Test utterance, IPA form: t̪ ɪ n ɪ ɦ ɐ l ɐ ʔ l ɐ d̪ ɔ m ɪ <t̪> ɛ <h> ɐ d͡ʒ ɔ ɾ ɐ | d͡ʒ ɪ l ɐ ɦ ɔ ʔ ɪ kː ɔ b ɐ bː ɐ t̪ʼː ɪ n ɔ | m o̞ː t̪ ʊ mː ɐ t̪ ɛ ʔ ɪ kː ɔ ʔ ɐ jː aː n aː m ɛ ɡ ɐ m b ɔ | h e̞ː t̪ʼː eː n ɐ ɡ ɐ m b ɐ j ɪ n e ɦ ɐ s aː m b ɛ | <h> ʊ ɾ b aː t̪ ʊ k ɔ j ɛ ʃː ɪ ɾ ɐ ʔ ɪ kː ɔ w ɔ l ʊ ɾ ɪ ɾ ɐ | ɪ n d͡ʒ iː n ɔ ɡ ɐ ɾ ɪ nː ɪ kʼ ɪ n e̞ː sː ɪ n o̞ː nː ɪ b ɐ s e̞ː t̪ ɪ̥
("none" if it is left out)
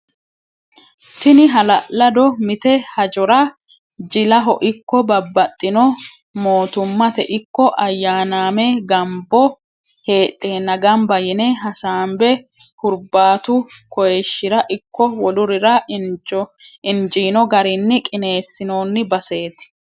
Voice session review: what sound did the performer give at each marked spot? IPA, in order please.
t̪, h, h

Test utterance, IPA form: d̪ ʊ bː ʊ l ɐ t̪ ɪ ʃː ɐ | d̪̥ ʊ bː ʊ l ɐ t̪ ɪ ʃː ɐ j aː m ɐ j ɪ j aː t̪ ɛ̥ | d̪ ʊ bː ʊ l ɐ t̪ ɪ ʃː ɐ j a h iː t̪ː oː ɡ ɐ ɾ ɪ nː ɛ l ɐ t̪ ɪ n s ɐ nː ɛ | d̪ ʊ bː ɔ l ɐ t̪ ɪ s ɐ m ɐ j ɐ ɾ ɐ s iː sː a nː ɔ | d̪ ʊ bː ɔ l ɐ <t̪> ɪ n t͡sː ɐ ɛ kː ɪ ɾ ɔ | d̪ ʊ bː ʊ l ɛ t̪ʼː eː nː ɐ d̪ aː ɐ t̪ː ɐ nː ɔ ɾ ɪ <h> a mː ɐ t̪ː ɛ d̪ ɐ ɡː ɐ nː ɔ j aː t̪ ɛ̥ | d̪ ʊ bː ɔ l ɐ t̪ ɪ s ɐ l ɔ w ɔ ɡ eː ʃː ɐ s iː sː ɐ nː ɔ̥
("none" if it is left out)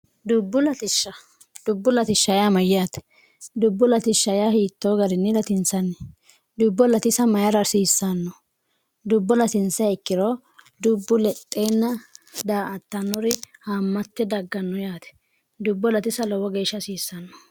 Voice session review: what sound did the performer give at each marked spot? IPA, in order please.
t̪, h

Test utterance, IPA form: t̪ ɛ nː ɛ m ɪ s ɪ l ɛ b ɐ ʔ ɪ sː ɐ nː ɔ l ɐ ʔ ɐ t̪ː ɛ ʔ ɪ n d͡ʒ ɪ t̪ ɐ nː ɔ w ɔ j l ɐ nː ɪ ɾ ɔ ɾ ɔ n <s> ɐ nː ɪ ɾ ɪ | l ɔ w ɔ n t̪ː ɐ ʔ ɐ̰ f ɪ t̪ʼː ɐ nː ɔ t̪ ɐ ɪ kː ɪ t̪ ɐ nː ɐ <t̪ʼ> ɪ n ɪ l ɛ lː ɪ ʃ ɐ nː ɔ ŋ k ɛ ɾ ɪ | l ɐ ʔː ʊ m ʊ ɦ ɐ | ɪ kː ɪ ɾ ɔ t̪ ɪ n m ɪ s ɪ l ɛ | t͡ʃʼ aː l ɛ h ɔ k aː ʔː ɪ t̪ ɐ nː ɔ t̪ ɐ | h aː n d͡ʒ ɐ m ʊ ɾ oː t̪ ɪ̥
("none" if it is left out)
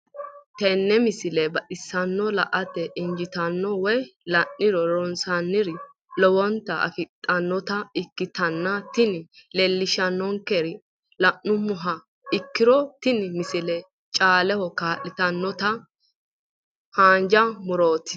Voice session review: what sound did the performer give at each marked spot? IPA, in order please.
s, t̪

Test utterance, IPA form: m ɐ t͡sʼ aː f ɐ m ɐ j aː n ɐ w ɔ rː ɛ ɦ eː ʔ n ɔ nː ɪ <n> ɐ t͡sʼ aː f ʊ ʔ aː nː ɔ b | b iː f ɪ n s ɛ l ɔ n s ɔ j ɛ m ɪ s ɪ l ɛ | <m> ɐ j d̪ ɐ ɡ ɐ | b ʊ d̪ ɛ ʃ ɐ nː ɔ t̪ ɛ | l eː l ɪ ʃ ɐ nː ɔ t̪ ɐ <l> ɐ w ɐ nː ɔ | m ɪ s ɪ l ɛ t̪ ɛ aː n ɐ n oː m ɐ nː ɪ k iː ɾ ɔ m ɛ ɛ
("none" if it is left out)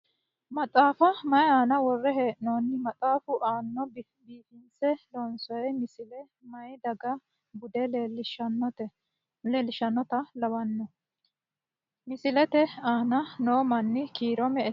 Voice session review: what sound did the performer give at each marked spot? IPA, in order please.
m, m, l

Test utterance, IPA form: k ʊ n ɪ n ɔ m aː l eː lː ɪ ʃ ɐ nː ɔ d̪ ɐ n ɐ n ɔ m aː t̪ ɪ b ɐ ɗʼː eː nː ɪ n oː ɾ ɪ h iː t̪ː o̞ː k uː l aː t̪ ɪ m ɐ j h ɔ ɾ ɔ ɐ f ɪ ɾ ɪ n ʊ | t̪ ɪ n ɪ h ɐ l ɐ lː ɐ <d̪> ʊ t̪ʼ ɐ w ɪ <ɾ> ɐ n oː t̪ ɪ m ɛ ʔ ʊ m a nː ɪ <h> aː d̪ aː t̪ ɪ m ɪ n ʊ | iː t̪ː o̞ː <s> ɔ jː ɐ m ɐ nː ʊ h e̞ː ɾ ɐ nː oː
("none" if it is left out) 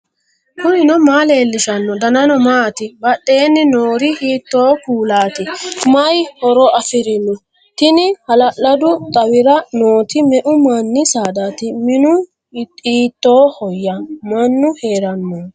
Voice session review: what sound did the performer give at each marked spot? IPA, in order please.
d̪, ɾ, s, h

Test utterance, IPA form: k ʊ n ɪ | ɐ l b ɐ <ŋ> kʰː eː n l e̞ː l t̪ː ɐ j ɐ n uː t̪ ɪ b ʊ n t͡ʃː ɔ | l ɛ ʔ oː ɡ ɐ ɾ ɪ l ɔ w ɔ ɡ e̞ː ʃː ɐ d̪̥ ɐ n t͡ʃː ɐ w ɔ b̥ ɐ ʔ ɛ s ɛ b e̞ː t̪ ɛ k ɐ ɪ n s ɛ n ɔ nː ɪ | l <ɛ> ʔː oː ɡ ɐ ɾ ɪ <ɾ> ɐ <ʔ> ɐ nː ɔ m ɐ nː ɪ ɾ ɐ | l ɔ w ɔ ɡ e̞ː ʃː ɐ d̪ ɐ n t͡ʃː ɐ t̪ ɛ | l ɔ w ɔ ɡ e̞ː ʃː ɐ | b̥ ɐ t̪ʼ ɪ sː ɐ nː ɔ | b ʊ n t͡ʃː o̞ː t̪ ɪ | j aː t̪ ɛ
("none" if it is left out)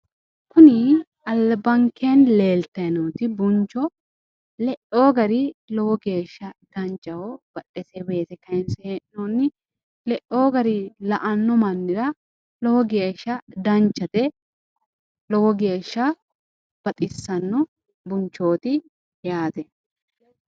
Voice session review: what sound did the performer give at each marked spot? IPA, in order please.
ŋ, ɛ, l, ʔ

